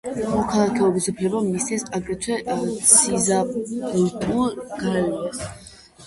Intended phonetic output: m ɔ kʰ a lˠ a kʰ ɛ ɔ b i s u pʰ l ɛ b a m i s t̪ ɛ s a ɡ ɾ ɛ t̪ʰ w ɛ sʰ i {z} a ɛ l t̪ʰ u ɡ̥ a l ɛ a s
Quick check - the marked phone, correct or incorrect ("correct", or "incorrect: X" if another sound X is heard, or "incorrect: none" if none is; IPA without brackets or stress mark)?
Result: correct